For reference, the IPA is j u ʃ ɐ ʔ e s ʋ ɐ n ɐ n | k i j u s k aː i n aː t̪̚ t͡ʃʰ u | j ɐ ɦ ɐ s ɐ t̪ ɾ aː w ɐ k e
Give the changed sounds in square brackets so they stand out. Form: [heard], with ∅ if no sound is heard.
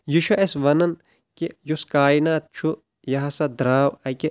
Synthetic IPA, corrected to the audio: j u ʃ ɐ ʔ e s ʋ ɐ n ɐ n | k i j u s k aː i n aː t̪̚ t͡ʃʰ u | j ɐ ɦ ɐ s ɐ [d̪] ɾ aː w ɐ k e